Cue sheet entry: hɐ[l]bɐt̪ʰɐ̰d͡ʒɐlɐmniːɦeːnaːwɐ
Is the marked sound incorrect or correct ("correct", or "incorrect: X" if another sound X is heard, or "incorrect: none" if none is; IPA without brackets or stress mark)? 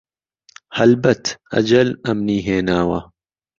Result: correct